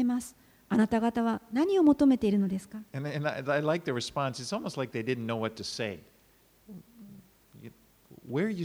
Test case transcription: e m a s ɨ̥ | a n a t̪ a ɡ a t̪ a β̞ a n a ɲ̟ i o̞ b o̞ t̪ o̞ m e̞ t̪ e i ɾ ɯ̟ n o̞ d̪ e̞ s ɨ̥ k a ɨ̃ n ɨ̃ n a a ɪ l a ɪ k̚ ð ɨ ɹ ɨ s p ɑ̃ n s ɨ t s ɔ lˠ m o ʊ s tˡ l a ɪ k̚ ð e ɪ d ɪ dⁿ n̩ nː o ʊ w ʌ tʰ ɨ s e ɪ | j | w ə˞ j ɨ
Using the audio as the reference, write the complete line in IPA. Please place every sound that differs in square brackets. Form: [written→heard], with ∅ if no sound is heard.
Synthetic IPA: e m a s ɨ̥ | a n a t̪ a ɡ a t̪ a β̞ a n a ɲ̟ i o̞ [b→m] o̞ t̪ o̞ m e̞ t̪ e i ɾ ɯ̟ n o̞ d̪ e̞ s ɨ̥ k a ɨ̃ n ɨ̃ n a a ɪ l a ɪ k̚ ð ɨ ɹ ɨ s p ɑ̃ n s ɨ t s ɔ lˠ m o ʊ s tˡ l a ɪ k̚ ð e ɪ d ɪ dⁿ n̩ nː o ʊ w ʌ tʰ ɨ s e ɪ | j | w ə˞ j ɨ